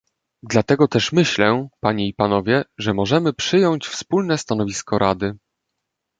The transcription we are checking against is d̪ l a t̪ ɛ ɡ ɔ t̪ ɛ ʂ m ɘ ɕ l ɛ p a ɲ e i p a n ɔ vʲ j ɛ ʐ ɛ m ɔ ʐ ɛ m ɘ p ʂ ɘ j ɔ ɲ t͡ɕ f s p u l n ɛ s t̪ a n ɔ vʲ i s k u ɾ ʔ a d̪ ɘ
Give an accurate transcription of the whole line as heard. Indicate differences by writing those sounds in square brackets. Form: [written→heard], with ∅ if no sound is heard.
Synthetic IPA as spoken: d̪ l a t̪ ɛ ɡ ɔ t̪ ɛ ʂ m ɘ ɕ l ɛ p a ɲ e i p a n ɔ vʲ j ɛ ʐ ɛ m ɔ ʐ ɛ m ɘ p ʂ ɘ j ɔ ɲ t͡ɕ f s p u l n ɛ s t̪ a n ɔ vʲ i s k [u→ɔ] ɾ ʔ a d̪ ɘ